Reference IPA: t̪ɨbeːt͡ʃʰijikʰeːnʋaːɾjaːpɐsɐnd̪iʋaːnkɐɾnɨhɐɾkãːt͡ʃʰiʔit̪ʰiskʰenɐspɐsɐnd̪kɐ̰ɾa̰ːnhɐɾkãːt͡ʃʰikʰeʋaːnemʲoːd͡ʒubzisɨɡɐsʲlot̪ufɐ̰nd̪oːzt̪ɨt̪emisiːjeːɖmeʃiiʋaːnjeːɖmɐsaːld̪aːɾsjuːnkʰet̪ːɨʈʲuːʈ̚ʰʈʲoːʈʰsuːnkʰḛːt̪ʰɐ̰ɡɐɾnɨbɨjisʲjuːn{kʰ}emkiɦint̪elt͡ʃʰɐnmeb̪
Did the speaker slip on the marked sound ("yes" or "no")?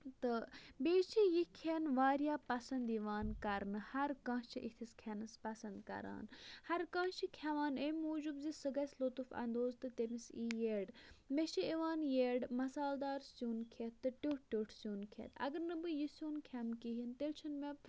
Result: no